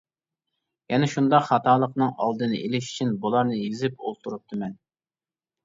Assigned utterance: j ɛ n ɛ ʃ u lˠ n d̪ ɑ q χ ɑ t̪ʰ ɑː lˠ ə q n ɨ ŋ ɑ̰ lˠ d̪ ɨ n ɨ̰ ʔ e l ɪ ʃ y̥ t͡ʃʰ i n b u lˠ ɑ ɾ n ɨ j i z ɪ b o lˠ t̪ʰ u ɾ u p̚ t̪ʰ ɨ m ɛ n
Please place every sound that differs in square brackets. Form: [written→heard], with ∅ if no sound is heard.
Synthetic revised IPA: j ɛ n ɛ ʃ u [lˠ→∅] n d̪ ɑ q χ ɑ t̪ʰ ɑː lˠ ə q n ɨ ŋ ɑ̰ lˠ d̪ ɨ n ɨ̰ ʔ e l ɪ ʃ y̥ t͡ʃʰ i n b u lˠ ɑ ɾ n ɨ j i z ɪ [b→p] o lˠ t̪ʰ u ɾ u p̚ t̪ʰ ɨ m ɛ n